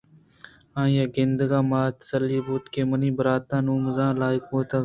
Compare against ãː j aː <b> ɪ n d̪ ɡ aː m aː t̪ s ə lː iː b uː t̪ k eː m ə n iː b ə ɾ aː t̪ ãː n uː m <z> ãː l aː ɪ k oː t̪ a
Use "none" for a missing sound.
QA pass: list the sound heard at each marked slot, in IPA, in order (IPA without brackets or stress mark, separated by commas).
ɡ, z